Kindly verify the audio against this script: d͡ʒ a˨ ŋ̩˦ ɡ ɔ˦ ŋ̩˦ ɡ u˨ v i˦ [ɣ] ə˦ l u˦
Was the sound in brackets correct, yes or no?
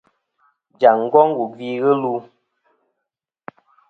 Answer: yes